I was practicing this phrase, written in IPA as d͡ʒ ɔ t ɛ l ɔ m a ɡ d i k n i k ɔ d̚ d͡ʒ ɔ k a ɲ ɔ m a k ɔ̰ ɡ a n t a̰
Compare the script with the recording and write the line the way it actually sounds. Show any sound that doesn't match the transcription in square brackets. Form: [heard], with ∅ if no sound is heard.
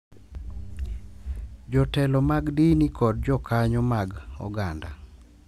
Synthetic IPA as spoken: d͡ʒ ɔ t ɛ l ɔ m a ɡ d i [∅] n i k ɔ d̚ d͡ʒ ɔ k a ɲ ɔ m a [ɡ] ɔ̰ ɡ a n [d] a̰